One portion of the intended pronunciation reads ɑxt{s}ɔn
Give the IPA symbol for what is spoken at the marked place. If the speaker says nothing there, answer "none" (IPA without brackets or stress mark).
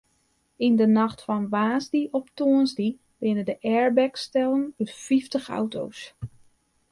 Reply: f